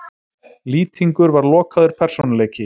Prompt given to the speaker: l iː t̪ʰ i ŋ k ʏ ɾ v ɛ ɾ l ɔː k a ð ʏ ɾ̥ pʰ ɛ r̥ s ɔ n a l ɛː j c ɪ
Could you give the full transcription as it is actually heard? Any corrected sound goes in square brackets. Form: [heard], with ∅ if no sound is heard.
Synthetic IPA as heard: l iː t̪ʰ i ŋ k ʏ ɾ v [a] ɾ l ɔː k a ð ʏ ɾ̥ pʰ ɛ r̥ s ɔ n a l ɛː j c ɪ